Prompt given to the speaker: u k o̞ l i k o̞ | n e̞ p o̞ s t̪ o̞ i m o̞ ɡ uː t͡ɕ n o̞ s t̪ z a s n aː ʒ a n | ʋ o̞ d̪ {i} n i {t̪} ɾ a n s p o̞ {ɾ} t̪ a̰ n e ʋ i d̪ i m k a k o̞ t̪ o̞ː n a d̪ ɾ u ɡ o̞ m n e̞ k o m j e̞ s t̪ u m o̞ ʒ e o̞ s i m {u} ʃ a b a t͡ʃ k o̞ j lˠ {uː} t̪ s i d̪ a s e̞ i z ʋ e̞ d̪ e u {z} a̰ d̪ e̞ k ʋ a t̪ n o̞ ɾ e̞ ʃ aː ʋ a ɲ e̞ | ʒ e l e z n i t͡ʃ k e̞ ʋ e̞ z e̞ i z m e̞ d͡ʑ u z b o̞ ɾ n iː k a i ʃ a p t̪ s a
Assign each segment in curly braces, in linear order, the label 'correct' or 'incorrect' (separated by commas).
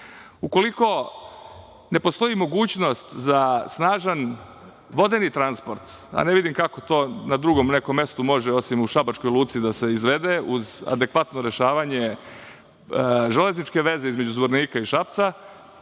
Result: incorrect, correct, correct, correct, correct, correct